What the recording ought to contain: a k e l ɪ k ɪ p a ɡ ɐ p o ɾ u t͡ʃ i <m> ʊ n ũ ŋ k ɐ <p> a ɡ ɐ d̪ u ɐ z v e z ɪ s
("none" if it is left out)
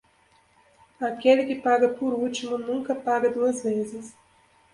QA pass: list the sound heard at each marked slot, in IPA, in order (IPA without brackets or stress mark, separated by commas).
m, p